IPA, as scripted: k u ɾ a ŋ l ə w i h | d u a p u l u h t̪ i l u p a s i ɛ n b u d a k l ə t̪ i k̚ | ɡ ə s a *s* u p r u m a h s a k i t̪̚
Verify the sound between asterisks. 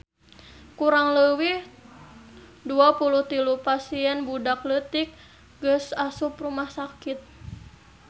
correct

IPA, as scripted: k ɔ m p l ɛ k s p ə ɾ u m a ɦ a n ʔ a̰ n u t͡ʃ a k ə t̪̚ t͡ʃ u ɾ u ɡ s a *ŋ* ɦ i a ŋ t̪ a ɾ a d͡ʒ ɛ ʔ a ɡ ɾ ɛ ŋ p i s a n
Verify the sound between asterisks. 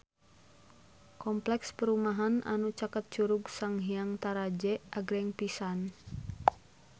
correct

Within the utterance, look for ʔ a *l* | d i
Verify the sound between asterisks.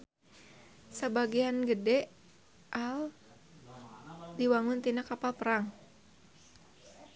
correct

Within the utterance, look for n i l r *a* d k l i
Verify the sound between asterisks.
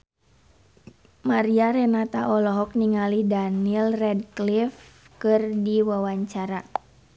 incorrect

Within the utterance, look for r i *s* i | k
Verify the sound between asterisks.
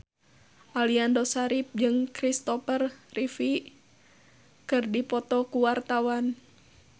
incorrect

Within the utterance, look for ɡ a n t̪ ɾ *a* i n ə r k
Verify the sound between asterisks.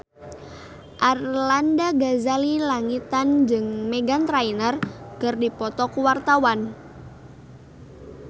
correct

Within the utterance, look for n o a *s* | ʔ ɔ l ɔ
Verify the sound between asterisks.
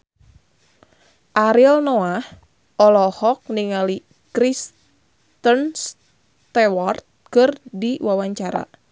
incorrect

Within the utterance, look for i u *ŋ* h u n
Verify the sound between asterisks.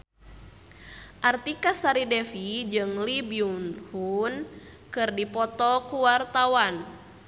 incorrect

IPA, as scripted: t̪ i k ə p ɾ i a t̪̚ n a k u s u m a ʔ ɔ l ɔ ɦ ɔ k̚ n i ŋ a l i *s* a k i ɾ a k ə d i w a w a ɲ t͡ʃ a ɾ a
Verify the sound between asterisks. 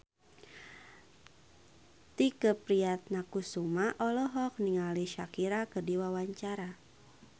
incorrect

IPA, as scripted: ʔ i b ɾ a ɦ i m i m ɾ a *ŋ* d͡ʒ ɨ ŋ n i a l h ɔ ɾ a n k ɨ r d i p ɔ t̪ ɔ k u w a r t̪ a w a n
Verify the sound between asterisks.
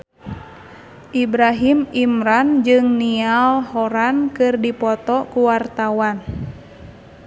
incorrect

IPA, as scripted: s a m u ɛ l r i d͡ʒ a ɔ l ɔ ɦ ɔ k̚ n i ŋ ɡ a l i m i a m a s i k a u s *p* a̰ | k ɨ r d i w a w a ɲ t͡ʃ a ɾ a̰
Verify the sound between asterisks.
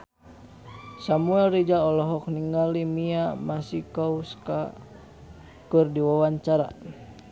incorrect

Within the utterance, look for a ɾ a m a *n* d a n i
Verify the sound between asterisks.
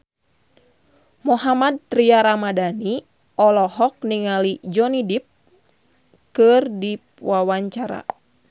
incorrect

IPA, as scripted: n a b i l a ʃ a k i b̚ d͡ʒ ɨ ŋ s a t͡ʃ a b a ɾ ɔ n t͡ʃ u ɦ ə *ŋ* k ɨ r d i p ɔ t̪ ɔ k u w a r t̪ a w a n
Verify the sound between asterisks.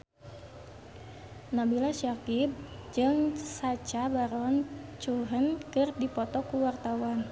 incorrect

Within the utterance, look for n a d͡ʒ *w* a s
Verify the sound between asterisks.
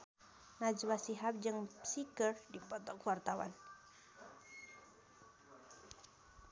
correct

